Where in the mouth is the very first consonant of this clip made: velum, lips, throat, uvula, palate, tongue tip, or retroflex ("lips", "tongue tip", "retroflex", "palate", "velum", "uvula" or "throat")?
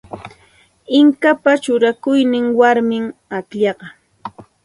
velum